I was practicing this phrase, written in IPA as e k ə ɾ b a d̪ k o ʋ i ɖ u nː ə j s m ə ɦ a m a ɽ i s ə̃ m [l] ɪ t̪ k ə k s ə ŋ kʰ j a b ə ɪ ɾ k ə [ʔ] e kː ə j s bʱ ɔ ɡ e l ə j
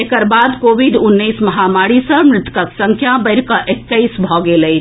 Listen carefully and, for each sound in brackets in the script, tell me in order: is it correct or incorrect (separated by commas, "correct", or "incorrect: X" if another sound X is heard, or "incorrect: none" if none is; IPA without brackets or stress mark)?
incorrect: ɾ, correct